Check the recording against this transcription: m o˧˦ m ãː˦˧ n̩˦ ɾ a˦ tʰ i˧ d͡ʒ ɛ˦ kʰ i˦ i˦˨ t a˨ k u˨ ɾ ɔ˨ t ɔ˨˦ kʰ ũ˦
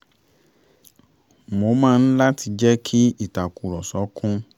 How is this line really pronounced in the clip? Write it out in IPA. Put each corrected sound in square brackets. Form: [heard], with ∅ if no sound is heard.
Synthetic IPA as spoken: m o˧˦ m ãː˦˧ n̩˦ [l] a˦ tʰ i˧ d͡ʒ ɛ˦ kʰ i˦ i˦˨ t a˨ k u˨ ɾ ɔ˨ [s] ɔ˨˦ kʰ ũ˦